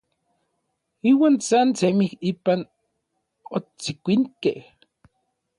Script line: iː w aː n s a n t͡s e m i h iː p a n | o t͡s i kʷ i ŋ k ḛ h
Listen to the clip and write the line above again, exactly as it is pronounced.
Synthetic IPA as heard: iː w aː n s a n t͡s e m i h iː p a n | o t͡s i kʷ i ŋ k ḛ h

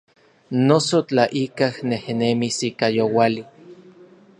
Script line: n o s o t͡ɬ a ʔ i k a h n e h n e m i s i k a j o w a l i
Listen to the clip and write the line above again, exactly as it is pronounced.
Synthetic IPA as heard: n o s o t͡ɬ a ʔ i k a h n e h n e m i s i k a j o w a l i

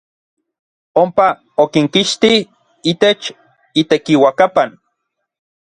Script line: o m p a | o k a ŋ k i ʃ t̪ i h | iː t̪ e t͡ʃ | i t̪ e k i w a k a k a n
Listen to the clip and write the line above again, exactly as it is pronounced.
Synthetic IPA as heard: o m p a | o k i ŋ k i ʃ t̪ i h | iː t̪ e t͡ʃ | i t̪ e k i w a k a p a n

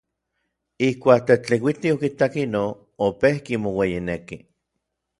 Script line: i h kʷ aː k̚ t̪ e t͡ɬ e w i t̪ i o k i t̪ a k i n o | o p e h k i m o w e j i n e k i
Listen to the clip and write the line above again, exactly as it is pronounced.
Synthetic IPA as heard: i h kʷ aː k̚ t̪ e t͡ɬ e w i t̪ i o k i t̪ a k i n o | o p e h k i m o w e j i n e k i

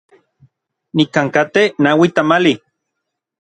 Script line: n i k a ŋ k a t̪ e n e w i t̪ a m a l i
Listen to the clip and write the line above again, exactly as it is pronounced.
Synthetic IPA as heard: n i k a ŋ k a t̪ e n a w i t̪ a m a l i

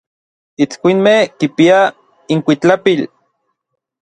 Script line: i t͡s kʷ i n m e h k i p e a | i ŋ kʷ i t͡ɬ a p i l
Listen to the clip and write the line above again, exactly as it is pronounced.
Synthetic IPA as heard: i t͡s kʷ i n m e h k i p i a | i ŋ kʷ i t͡ɬ a p i l

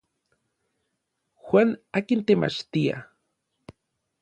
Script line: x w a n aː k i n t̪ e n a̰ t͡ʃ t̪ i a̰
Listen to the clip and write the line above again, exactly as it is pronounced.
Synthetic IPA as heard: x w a n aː k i n t̪ e m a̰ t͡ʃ t̪ i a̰

